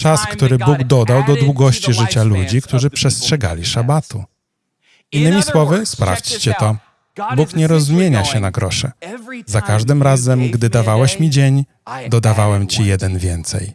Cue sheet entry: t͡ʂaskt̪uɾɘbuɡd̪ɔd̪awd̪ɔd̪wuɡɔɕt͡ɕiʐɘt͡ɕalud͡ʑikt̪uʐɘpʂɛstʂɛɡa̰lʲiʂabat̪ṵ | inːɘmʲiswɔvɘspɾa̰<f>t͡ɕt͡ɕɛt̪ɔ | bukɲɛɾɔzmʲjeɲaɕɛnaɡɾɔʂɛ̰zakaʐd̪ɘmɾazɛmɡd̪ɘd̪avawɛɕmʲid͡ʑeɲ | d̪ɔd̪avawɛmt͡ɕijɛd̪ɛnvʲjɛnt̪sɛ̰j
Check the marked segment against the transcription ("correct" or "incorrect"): correct